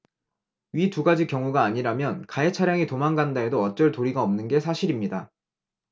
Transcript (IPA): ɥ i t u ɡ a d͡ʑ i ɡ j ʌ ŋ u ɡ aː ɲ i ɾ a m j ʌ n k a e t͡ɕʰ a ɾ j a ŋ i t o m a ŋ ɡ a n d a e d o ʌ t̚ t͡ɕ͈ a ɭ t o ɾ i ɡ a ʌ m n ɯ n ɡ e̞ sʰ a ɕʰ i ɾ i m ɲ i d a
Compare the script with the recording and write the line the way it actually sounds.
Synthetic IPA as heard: ɥ i t u ɡ a d͡ʑ i k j ʌ ŋ u ɡ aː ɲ i ɾ a m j ʌ n k a e t͡ɕʰ a ɾ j a ŋ i t o m a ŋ ɡ a n d a e d o ʌ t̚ t͡ɕ͈ ʌ ɭ t o ɾ i ɡ a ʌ m n ɯ n ɡ e̞ sʰ a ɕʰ i ɾ i m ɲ i d a